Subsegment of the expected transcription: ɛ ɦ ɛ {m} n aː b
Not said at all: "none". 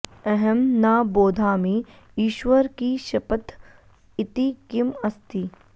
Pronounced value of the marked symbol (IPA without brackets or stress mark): m